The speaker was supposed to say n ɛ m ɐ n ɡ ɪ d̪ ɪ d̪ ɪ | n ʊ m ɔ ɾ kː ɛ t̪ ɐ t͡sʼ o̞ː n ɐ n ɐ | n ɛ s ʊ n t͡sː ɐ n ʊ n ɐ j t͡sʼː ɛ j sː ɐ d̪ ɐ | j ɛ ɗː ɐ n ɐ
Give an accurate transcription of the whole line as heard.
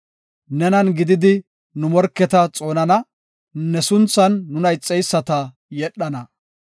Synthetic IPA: n ɛ n ɐ n ɡ ɪ d̪ ɪ d̪ ɪ | n ʊ m ɔ ɾ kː ɛ t̪ ɐ t͡sʼ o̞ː n ɐ n ɐ | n ɛ s ʊ n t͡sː ɐ nː ʊ n ɐ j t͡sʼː ɛ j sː ɐ t̪ ɐ | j ɛ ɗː ɐ n ɐ